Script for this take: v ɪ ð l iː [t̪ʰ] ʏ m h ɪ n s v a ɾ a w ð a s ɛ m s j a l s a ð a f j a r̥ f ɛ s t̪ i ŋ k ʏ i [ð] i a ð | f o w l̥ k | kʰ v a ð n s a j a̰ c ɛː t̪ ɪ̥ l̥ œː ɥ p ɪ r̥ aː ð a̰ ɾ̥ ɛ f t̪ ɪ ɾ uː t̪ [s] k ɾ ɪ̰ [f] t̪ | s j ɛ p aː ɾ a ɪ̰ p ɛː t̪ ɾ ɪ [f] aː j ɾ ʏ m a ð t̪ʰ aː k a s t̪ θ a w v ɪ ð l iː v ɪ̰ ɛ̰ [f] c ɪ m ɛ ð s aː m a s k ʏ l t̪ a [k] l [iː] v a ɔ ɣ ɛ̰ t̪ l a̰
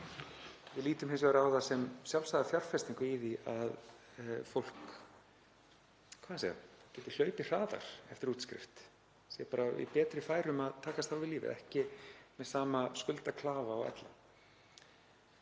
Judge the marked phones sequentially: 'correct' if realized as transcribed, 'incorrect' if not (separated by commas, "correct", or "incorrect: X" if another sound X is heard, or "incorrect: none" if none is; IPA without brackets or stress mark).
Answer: incorrect: t̪, correct, correct, correct, correct, incorrect: h, incorrect: kʰ, incorrect: aː